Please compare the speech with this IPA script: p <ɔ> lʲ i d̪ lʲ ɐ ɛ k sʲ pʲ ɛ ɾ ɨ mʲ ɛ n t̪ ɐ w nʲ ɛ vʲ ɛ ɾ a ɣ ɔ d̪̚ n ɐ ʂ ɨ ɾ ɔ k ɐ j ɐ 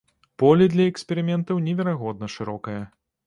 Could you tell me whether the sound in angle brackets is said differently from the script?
no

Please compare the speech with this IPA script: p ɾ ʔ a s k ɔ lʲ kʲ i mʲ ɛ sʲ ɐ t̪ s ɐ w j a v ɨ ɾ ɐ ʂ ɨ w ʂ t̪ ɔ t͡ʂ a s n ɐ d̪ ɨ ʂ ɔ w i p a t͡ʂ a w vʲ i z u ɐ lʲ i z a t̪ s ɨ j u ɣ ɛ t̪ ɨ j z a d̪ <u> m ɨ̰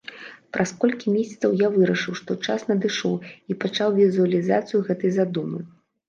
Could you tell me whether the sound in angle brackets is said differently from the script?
no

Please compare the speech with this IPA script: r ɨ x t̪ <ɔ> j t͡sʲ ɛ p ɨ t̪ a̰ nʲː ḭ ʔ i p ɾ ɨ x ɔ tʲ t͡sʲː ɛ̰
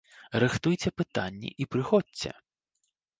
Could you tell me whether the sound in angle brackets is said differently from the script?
yes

